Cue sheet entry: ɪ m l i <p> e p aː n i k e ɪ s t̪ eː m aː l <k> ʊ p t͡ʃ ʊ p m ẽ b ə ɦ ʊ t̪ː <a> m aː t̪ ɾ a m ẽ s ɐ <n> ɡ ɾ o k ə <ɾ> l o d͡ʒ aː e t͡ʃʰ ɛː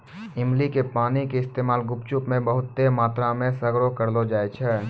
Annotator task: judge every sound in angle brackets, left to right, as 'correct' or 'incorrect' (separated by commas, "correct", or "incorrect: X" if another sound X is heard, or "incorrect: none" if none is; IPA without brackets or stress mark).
incorrect: k, incorrect: ɡ, incorrect: e, incorrect: none, correct